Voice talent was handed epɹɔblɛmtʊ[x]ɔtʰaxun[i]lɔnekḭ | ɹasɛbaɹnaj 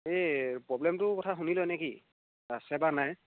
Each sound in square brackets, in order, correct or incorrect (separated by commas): incorrect, correct